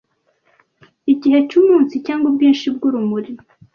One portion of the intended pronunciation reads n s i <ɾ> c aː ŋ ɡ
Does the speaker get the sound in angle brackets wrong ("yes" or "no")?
yes